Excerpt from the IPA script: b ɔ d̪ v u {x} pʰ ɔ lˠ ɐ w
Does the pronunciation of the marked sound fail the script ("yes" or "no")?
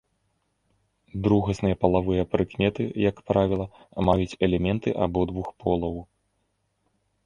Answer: no